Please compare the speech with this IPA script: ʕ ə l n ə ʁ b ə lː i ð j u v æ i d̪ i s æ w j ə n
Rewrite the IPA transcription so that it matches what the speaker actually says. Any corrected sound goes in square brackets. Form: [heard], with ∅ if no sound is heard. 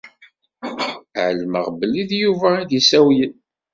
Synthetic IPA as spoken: ʕ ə l [m] ə ʁ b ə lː i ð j u v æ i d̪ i s æ w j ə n